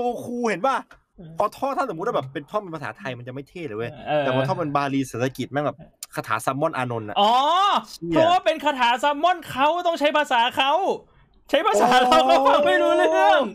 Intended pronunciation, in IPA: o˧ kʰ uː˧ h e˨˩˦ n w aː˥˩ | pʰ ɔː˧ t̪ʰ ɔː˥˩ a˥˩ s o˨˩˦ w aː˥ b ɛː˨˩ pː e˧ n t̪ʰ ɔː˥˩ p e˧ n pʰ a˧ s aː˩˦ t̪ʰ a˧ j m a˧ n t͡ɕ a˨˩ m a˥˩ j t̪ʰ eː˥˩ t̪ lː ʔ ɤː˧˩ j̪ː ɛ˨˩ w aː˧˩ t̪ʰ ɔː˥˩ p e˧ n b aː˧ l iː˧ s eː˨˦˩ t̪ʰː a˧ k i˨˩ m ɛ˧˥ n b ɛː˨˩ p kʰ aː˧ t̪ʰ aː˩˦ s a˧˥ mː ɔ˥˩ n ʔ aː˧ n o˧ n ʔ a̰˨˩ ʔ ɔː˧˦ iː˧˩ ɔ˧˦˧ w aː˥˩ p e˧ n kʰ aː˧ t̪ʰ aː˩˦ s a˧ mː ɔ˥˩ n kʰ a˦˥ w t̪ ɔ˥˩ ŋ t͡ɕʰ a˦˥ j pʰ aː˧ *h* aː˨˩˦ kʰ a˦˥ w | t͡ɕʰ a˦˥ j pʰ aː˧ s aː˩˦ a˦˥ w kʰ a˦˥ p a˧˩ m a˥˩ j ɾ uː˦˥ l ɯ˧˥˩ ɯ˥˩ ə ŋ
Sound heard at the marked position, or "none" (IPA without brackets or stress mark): s